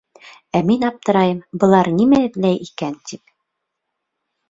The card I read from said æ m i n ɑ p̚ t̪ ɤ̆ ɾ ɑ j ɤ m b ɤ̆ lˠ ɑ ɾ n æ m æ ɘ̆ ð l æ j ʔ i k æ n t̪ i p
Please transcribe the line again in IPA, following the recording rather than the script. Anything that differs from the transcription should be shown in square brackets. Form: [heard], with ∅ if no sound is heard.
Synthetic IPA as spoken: æ m i n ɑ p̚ t̪ ɤ̆ ɾ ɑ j ɤ m b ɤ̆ lˠ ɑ ɾ n [i] m æ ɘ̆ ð l æ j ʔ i k æ n t̪ i p

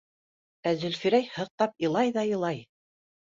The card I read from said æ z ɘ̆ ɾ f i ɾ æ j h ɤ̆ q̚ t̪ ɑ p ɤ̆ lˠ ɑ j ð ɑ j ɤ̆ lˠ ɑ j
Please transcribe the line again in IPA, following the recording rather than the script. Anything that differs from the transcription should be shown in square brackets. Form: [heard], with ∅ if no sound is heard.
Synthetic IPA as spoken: æ z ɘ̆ [l] f i ɾ æ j h ɤ̆ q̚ t̪ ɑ p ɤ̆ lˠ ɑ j ð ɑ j ɤ̆ lˠ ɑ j

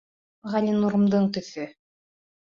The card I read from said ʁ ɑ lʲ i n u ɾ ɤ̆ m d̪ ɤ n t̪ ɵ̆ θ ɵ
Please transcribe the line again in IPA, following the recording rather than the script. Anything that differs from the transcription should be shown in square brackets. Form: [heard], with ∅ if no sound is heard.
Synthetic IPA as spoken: ʁ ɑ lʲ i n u ɾ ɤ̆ m d̪ ɤ [ɴ] t̪ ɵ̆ θ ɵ

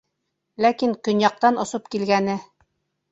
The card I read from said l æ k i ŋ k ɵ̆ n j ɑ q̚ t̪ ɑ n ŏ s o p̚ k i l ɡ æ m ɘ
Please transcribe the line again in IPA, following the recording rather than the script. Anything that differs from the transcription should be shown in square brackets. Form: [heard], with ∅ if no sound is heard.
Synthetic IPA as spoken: l æ k i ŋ k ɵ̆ n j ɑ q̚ t̪ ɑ n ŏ s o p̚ k i l ɡ æ [n] ɘ

